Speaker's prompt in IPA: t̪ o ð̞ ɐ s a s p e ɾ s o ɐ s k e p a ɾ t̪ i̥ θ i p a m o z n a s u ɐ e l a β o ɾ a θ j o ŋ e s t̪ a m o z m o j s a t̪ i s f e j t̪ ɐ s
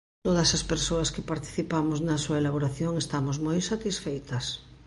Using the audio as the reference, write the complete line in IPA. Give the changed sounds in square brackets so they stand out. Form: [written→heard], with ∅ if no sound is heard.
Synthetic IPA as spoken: t̪ o ð̞ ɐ s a s p e ɾ s o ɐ s k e p a ɾ t̪ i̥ θ i p a m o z n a s u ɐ e l a β o ɾ a θ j o ŋ e s t̪ a m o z m o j s a t̪ i s f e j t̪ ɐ s